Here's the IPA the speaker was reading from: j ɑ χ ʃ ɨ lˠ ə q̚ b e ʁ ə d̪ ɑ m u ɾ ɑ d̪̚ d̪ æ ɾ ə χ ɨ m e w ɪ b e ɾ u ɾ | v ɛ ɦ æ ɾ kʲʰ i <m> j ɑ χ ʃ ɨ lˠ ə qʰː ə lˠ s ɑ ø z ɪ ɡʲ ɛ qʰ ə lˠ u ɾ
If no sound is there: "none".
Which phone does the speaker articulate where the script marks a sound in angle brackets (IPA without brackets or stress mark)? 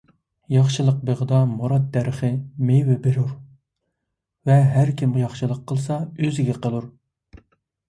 m